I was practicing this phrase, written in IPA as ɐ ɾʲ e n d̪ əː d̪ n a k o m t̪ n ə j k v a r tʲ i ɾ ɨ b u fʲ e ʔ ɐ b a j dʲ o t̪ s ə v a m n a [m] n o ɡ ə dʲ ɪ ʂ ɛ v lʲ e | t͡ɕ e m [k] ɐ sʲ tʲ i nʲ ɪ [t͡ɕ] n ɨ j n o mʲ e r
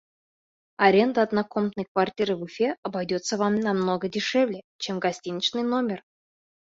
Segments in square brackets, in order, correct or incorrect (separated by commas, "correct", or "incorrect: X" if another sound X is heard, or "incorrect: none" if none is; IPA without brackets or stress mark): correct, incorrect: ɡ, correct